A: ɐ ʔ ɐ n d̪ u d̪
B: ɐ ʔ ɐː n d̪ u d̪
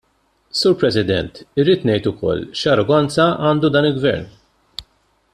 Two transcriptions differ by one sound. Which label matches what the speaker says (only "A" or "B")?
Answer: B